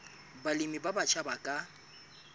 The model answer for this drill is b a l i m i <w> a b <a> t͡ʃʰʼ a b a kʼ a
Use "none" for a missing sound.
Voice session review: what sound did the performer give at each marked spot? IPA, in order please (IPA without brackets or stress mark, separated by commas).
b, a